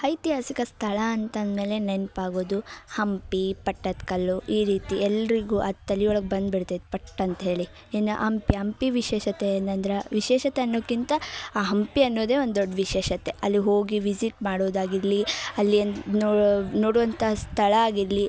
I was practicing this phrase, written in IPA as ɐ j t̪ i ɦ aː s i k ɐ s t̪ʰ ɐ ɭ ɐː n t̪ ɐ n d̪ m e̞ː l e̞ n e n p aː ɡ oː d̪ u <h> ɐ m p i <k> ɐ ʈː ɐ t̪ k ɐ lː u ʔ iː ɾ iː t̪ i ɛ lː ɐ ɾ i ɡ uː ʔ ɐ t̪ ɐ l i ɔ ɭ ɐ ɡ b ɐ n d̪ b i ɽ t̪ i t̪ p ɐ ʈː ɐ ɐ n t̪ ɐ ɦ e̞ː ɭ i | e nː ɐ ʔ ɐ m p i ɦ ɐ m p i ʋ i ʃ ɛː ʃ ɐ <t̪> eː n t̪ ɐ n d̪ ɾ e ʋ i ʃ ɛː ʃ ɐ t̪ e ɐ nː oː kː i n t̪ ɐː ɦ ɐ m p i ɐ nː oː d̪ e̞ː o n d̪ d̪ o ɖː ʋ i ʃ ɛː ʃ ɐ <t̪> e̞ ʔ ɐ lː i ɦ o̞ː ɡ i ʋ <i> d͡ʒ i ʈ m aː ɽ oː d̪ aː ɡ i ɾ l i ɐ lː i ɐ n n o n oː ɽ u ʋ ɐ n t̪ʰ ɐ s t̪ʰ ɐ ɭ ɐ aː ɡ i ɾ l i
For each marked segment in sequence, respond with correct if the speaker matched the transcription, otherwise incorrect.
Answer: correct, incorrect: p, correct, correct, correct

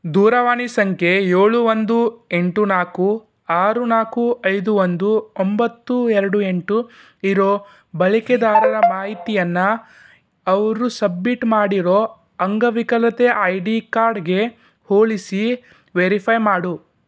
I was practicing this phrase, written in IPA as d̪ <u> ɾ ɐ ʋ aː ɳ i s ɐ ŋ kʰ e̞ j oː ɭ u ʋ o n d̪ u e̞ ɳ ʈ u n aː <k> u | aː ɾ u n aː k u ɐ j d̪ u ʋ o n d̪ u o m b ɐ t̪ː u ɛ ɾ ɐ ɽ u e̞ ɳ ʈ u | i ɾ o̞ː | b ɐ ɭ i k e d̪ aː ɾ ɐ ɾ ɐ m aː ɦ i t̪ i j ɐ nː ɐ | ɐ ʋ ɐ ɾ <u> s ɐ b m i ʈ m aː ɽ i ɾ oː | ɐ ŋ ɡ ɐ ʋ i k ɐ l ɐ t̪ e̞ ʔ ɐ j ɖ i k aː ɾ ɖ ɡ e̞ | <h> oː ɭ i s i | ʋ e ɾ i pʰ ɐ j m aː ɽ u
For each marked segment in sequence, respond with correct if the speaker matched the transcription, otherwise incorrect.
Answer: incorrect: uː, correct, correct, correct

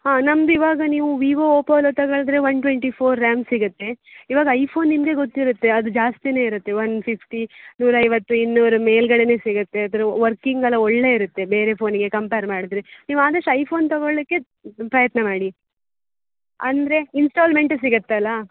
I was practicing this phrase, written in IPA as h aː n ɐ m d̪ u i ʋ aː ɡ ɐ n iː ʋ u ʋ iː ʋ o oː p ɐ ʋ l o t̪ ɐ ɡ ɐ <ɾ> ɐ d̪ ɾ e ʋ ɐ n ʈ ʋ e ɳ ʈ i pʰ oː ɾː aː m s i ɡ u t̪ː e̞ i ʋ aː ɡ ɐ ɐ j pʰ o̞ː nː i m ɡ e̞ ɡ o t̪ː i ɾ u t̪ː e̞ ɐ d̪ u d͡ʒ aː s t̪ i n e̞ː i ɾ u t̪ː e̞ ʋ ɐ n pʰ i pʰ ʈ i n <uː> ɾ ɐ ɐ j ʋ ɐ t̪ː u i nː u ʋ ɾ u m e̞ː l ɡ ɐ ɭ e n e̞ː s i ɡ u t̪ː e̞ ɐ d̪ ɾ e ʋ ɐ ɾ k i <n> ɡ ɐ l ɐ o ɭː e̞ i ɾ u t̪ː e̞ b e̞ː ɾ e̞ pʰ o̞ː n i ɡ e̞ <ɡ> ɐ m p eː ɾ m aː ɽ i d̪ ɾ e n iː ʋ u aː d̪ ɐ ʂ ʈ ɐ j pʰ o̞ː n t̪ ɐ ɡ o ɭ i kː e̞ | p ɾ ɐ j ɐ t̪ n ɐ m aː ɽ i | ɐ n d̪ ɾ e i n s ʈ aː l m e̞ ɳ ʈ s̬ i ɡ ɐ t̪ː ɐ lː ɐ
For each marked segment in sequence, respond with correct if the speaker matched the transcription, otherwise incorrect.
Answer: incorrect: ɭ, correct, incorrect: ŋ, incorrect: k

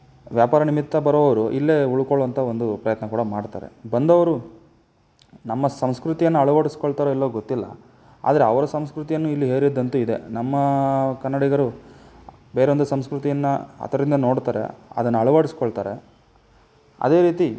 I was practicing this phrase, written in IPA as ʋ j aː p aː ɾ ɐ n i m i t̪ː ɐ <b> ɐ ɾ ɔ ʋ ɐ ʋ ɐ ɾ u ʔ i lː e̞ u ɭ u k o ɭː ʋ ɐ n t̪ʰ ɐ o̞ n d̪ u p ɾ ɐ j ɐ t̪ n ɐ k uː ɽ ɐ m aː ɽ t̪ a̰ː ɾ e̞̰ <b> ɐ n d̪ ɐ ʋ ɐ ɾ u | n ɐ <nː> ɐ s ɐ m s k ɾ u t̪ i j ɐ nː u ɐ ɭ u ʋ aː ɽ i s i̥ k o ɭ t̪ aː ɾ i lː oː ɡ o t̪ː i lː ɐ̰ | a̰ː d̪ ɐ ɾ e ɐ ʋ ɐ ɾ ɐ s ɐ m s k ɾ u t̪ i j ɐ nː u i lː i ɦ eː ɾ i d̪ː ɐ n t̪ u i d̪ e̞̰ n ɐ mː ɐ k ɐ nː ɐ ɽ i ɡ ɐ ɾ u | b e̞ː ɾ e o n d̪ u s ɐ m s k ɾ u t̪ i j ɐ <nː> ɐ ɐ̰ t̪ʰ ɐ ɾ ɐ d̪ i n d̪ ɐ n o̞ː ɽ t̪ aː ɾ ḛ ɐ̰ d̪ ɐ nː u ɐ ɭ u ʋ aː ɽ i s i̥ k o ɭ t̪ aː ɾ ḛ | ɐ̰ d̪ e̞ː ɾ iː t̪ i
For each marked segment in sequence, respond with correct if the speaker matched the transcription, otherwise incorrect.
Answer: correct, correct, incorrect: mː, correct

